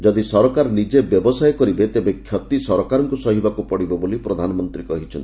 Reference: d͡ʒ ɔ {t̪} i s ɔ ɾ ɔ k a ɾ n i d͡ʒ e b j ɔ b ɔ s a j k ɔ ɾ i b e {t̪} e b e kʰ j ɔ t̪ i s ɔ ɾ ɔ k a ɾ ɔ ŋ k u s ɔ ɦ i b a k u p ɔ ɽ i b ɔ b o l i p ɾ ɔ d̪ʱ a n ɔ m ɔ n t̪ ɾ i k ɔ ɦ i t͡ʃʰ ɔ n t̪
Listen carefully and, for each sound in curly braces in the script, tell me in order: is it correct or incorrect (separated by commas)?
incorrect, correct